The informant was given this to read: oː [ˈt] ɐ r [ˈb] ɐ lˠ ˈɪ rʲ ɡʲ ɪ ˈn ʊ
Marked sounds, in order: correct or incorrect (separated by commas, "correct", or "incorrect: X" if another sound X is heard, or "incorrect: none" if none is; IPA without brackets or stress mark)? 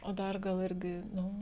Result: incorrect: d, incorrect: ɡ